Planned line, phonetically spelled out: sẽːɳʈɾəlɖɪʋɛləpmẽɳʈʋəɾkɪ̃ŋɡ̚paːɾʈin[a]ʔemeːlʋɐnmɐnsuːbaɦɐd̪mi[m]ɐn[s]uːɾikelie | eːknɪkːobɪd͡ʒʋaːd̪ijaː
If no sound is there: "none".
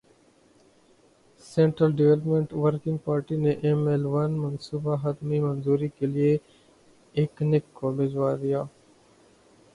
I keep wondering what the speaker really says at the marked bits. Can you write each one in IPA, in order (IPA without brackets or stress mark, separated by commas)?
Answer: e, m, z